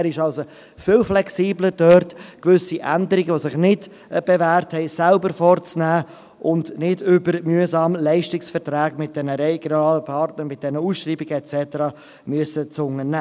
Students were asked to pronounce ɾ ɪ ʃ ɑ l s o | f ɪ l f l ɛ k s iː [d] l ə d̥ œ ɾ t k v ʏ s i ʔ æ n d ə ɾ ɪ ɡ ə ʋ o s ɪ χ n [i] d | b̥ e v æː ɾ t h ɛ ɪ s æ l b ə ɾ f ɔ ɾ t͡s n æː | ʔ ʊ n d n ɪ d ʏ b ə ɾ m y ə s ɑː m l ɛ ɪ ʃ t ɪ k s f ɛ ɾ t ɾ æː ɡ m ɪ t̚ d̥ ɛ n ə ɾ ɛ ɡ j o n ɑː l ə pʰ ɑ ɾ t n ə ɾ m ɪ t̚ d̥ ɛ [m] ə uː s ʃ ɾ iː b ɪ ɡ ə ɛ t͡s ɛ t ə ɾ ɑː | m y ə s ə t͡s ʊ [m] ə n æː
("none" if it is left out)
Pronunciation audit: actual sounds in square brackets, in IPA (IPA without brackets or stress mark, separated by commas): b, ɪ, n, ŋ